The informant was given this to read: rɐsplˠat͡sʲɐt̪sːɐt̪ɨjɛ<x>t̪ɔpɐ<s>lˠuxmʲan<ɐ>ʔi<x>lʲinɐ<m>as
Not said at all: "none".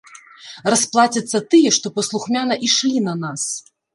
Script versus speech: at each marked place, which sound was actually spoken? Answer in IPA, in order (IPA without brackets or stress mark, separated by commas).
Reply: ʂ, s, ɐ, ʂ, n